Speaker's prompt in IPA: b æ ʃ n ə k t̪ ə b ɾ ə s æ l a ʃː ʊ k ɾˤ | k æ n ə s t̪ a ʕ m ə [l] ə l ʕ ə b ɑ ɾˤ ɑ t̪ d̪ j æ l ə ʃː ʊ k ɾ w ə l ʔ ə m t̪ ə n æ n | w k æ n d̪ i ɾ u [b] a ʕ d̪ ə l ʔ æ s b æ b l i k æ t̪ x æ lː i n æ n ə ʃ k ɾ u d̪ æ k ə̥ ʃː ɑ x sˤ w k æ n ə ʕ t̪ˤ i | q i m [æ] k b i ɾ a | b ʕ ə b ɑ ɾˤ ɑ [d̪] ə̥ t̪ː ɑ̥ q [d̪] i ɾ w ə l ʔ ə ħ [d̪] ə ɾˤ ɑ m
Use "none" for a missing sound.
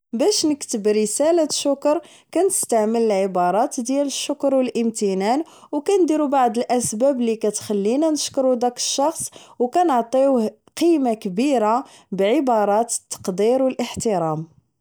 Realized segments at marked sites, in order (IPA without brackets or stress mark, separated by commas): l, b, a, t̪, d̪, t̪